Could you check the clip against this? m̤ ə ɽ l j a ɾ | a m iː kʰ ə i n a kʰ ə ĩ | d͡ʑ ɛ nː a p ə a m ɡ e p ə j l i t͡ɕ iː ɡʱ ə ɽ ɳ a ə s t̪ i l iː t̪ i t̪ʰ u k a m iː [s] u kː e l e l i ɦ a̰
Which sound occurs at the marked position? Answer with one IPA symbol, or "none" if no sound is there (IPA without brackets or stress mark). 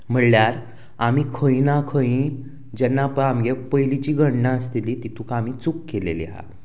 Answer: t͡s